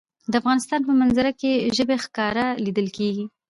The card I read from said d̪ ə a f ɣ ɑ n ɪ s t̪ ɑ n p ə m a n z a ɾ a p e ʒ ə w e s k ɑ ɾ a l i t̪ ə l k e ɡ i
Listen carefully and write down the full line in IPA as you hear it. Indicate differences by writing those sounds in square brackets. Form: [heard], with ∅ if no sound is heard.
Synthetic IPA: d̪ ə a f ɣ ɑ n ɪ s t̪ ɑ n p ə m a n z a ɾ a [k] e ʒ ə [b] e [x] k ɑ ɾ a l i [d̪] ə l k e ɡ i